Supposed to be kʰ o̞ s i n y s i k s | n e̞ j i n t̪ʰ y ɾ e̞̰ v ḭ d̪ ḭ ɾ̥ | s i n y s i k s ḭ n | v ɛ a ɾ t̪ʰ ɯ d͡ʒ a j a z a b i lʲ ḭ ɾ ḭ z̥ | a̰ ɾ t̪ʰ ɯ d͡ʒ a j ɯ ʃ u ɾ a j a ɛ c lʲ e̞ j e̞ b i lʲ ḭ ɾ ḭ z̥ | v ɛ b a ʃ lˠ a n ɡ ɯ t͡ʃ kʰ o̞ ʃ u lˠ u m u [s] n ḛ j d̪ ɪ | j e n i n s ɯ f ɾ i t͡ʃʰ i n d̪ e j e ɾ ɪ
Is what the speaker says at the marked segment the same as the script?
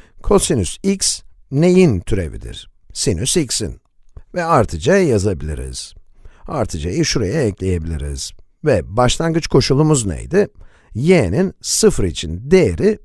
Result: no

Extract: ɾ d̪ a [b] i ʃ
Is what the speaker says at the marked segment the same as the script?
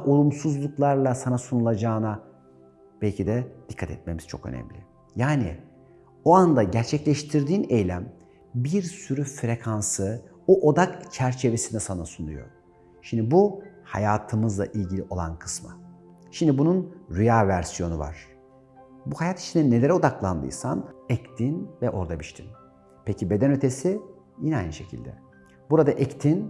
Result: yes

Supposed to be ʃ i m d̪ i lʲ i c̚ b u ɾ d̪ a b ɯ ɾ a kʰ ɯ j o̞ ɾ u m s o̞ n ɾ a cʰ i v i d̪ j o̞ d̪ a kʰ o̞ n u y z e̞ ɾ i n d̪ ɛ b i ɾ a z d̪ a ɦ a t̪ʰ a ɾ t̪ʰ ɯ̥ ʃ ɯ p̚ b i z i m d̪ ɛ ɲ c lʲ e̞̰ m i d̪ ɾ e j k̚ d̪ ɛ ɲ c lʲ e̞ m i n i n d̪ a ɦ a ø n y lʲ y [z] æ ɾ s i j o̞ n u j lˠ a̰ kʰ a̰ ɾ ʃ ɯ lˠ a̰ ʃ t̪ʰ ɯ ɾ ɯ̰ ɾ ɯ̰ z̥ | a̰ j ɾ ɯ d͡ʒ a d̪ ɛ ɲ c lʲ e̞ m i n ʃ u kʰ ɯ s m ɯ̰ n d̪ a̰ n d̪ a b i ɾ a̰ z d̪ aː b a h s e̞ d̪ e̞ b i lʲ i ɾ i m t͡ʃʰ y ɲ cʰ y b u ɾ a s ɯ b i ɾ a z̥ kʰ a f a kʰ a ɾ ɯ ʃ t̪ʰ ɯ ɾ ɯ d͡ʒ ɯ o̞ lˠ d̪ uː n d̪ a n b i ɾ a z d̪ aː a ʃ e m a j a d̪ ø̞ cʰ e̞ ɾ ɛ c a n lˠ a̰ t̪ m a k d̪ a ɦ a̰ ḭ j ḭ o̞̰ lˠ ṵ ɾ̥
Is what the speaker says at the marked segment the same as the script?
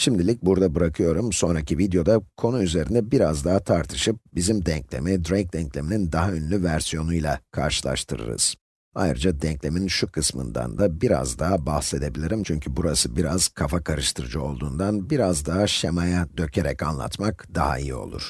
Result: no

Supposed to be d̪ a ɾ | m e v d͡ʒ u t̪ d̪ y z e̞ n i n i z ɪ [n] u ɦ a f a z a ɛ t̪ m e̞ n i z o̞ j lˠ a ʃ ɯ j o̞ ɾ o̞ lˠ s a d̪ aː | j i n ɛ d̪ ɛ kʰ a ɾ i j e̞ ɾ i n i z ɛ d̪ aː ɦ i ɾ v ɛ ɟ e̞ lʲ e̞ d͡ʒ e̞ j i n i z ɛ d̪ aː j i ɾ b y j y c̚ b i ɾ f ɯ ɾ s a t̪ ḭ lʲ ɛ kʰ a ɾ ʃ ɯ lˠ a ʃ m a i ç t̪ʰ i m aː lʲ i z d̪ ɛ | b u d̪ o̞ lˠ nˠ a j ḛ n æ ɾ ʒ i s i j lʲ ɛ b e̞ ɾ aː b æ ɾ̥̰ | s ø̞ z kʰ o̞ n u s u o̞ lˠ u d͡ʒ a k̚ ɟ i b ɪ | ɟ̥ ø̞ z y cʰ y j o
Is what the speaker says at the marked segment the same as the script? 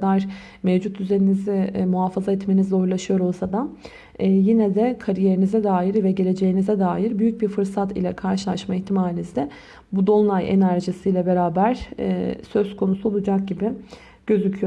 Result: no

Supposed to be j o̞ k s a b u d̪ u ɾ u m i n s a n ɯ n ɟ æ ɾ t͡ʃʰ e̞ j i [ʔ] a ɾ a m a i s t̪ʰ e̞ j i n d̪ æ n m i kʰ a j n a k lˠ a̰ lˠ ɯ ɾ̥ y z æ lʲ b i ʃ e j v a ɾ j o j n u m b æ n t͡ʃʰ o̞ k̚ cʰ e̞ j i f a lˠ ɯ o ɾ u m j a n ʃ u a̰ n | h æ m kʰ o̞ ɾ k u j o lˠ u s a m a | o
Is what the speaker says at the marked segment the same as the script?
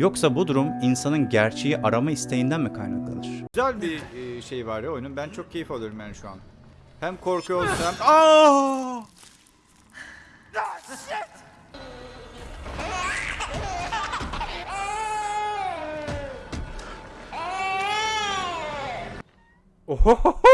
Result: yes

